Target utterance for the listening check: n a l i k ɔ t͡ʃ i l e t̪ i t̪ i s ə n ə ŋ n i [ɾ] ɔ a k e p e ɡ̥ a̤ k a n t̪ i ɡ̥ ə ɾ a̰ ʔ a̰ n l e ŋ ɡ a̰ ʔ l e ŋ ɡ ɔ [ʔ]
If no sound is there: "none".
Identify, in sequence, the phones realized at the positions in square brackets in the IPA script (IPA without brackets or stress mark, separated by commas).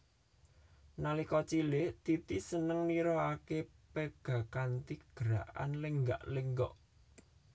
ɾ, ʔ